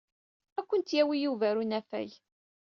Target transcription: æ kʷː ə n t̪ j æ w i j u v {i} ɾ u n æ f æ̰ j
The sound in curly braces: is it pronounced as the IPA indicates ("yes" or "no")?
no